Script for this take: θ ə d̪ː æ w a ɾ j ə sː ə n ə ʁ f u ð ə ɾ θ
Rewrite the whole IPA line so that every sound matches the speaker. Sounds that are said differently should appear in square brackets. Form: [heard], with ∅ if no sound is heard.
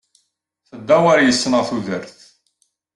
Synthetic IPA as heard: θ ə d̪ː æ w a ɾ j ə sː ə n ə ʁ [θ] u ð ə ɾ θ